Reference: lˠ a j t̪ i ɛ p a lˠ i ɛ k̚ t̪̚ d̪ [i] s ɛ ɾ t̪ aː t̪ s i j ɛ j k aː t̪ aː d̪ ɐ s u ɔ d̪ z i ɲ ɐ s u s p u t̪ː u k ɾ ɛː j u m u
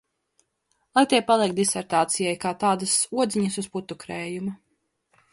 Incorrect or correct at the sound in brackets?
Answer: correct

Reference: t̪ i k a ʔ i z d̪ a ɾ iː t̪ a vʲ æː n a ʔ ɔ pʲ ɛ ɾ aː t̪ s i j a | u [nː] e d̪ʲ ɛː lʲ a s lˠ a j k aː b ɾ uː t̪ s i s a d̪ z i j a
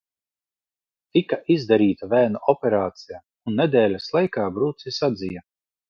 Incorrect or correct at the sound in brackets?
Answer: correct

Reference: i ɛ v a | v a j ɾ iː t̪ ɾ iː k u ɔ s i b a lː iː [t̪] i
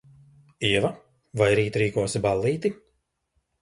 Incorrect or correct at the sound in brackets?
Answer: correct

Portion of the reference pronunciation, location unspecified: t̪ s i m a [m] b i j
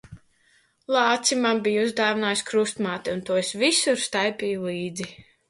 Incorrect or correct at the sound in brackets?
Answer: correct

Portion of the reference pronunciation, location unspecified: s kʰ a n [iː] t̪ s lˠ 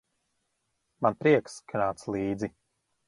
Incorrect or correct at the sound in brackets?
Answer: incorrect: aː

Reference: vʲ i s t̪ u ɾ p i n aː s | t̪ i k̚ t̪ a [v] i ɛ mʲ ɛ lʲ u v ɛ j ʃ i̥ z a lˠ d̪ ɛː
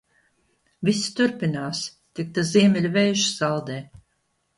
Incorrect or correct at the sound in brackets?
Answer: incorrect: z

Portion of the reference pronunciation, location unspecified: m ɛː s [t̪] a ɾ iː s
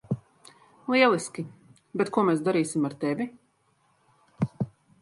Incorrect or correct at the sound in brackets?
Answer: incorrect: d̪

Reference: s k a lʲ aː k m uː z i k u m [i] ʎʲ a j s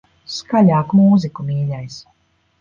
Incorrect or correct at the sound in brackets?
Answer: incorrect: iː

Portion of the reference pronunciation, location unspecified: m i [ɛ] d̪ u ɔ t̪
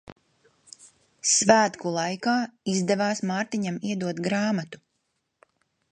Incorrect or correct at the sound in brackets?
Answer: correct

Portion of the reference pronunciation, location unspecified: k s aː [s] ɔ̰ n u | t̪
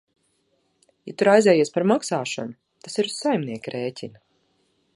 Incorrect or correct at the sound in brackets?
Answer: incorrect: ʃ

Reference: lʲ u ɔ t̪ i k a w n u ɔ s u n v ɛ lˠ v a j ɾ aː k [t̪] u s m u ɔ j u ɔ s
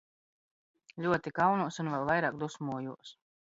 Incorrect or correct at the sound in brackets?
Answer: incorrect: d̪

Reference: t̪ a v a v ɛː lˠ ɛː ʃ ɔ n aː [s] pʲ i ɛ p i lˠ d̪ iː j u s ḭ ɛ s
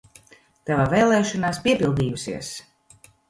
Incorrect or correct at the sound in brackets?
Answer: correct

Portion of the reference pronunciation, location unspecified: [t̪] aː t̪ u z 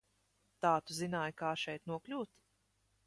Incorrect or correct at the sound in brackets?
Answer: correct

